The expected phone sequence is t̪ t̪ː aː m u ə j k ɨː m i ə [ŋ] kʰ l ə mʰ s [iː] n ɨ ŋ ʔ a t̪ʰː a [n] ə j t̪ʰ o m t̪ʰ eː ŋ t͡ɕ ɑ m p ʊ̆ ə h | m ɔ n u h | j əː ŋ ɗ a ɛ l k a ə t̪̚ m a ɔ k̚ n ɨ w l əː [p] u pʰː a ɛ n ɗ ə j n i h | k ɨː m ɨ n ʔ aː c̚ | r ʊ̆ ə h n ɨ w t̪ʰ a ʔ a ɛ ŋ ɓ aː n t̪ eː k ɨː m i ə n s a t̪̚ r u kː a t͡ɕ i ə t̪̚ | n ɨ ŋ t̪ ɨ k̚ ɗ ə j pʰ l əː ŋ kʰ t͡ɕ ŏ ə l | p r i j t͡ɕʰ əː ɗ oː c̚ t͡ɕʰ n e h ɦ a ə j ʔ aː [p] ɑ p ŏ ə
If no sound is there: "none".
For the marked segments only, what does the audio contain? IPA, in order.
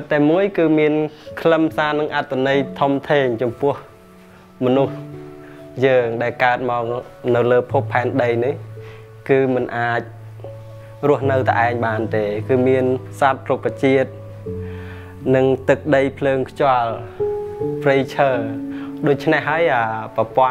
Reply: n, aː, n, pʰ, p

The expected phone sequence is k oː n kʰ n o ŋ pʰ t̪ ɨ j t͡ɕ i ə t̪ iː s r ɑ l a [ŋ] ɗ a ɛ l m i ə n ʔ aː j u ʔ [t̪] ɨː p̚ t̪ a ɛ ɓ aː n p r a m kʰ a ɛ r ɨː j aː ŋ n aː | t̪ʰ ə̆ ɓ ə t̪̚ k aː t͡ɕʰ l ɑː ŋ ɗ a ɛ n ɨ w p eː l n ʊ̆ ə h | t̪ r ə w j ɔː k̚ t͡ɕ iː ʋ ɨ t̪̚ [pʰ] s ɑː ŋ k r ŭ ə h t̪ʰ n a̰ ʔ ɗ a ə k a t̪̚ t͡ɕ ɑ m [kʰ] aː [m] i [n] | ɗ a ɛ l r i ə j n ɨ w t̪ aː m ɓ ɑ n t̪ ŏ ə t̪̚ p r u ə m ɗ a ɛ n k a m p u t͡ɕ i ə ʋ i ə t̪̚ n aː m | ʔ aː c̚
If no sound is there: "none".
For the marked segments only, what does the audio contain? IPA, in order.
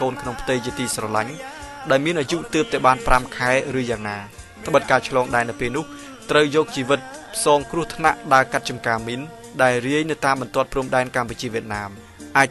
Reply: ɲ, t̪, pʰ, k, m, n

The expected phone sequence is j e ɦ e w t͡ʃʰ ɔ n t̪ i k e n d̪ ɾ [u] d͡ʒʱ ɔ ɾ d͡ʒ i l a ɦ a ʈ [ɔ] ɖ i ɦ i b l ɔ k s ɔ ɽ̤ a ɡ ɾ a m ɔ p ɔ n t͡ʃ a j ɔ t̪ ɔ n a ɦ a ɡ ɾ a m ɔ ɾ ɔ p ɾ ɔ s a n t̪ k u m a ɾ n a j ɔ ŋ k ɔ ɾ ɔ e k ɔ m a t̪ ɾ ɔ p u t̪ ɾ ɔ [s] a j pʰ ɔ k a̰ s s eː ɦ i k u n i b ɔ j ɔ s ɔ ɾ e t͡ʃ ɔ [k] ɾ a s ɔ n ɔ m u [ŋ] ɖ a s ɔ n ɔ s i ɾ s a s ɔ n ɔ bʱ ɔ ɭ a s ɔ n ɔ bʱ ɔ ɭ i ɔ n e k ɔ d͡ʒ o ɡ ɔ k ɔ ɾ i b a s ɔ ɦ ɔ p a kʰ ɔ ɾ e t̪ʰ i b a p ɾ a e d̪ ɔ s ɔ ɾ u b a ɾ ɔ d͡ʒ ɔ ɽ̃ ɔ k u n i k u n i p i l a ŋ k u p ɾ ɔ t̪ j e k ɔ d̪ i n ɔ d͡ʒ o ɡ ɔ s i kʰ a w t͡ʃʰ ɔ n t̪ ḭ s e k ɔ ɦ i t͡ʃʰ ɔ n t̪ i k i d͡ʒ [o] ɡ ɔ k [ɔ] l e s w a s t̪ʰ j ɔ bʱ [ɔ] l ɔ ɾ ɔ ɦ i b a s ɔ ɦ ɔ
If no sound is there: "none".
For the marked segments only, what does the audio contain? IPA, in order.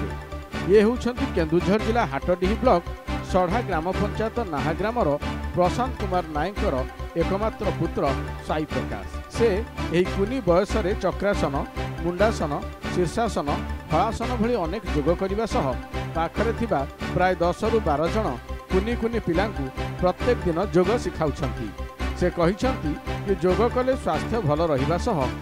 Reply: u, ɔ, s, k, ɳ, o, ɔ, ɔ

